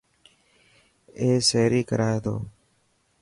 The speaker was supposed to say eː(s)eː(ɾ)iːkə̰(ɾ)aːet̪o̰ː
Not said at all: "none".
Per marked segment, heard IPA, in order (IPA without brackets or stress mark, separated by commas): s, ɾ, ɾ